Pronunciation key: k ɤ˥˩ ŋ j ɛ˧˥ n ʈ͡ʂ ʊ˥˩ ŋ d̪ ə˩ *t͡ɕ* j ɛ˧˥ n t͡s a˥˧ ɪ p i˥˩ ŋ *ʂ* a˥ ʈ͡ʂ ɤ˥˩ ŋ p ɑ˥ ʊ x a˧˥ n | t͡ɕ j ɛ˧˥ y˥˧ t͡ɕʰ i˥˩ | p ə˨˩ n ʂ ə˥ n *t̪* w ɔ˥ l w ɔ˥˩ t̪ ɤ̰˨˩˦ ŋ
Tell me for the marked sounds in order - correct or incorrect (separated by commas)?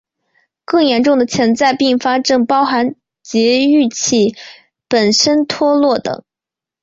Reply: incorrect, incorrect, incorrect